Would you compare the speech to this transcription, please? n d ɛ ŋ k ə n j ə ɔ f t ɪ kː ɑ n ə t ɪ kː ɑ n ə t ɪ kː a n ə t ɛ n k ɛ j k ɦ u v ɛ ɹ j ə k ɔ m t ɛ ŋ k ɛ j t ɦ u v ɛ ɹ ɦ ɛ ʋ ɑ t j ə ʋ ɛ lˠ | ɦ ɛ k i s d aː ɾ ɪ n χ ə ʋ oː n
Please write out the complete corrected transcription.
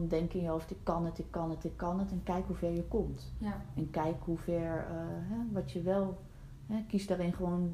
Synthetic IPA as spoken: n d ɛ ŋ k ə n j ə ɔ f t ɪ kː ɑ n ə t ɪ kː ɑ n ə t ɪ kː ɑ n ə t ɛ n k ɛ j k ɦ u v ɛ ɹ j ə k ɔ m t ɛ n k ɛ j k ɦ u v ɛ ɹ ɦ ɛ ʋ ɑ t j ə ʋ ɛ lˠ | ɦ ɛ k i s d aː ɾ ɪ n χ ə ʋ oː n